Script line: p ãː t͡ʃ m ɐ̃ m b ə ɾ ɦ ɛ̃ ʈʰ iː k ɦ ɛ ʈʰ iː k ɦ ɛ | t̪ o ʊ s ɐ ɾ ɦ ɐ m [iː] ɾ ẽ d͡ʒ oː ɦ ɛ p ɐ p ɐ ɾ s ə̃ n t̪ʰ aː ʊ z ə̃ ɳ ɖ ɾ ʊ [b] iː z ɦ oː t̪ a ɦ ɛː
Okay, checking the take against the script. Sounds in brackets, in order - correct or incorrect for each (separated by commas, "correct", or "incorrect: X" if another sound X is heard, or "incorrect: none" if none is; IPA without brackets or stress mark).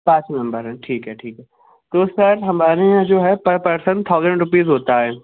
incorrect: aː, incorrect: p